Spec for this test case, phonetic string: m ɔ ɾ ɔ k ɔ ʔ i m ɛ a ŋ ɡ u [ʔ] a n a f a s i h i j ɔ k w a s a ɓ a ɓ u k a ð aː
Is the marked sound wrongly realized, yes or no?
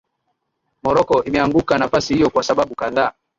yes